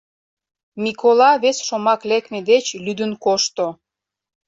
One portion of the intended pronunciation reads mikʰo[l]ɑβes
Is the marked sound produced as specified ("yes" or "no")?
yes